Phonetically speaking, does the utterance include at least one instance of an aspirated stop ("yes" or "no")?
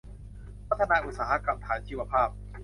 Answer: yes